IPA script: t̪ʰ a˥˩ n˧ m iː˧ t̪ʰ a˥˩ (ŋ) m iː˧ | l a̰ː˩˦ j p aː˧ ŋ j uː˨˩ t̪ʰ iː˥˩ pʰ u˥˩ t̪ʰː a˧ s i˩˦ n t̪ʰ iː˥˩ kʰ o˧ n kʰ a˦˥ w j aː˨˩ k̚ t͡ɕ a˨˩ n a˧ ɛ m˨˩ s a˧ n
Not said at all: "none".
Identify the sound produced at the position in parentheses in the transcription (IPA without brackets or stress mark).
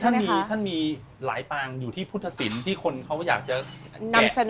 n